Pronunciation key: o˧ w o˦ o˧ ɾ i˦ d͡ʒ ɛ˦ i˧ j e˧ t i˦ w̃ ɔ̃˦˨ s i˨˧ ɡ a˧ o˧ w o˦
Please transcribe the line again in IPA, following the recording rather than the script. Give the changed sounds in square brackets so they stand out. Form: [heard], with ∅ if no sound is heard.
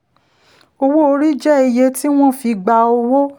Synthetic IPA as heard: o˧ w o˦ o˧ ɾ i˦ d͡ʒ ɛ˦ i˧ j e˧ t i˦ w̃ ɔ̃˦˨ [f] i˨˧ [ɡ͡b] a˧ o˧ w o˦